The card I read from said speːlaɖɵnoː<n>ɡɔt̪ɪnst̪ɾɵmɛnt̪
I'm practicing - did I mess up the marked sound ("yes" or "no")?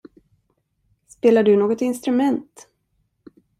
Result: yes